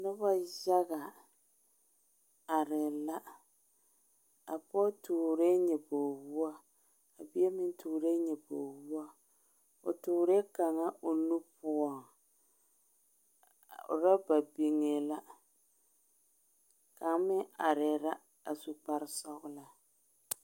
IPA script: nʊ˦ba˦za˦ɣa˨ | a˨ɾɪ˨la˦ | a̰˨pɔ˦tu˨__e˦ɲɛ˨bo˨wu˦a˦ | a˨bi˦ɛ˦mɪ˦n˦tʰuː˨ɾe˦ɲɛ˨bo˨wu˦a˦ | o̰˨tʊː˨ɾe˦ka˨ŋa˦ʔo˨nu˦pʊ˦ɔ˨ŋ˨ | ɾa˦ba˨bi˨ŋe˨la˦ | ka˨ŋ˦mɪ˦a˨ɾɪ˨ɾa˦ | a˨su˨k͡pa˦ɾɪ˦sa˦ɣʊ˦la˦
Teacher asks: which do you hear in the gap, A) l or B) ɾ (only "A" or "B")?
B